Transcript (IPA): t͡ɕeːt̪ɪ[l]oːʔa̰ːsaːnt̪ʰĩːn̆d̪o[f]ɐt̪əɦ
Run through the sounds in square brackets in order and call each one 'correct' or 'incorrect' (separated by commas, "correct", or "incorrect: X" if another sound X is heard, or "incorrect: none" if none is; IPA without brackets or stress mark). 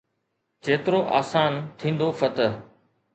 incorrect: ɾ, correct